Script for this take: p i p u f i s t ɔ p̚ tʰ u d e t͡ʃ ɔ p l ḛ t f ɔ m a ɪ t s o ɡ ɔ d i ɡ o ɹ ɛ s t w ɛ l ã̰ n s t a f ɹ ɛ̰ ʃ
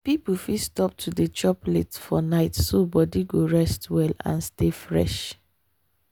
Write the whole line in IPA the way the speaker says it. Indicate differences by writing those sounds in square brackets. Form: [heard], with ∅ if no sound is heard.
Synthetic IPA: p i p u f i s t ɔ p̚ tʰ u d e t͡ʃ ɔ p l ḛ t f ɔ [n] a ɪ t s o [b] ɔ d i ɡ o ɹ ɛ s t w ɛ l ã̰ n s t [e] f ɹ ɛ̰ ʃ